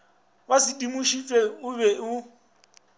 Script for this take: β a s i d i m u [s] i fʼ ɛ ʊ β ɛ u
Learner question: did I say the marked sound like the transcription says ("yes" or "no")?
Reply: no